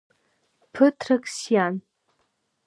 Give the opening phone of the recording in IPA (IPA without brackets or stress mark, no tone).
pʰ